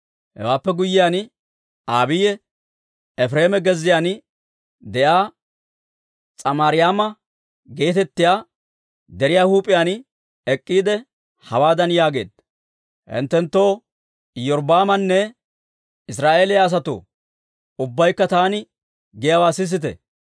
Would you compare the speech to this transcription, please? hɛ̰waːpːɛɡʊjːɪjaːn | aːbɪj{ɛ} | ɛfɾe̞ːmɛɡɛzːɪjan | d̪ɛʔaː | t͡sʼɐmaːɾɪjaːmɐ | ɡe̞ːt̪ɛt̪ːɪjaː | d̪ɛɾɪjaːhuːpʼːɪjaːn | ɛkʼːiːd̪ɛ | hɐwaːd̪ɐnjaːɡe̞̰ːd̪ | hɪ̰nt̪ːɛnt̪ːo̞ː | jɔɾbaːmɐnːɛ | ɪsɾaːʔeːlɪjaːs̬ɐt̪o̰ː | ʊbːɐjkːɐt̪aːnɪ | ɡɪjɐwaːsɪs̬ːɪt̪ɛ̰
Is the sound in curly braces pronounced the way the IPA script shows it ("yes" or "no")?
yes